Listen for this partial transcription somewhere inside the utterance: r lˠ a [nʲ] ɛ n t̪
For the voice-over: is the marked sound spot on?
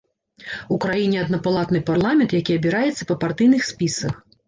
no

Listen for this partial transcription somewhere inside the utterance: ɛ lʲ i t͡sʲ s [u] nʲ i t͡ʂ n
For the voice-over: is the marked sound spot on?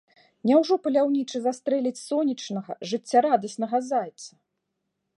no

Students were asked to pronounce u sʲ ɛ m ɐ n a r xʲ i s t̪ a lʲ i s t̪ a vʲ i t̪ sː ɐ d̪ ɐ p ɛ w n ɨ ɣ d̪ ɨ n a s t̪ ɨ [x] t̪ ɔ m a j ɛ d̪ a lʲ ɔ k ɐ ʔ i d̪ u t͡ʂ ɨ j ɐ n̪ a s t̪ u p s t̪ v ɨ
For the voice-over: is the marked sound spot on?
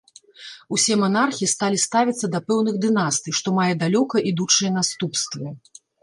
no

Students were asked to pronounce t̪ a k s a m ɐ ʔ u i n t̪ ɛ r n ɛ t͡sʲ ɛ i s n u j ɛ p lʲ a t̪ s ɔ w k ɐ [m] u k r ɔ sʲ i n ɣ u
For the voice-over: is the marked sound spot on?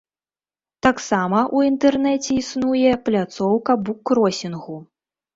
no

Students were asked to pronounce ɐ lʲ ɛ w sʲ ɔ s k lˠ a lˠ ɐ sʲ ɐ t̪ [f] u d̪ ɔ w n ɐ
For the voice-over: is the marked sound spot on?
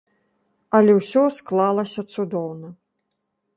no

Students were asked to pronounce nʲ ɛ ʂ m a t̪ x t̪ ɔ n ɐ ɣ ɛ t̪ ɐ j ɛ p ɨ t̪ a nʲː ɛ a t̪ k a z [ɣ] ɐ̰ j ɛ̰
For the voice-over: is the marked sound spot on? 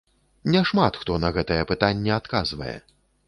no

